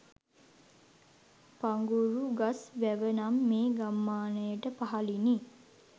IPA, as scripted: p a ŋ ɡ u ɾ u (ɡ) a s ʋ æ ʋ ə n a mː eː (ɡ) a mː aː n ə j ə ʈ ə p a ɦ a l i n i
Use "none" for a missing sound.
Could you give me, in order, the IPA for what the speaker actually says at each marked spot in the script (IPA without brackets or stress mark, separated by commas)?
ɡ, ɡ